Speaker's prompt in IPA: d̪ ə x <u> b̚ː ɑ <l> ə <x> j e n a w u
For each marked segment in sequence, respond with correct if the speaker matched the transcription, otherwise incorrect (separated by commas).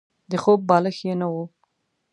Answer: incorrect, correct, correct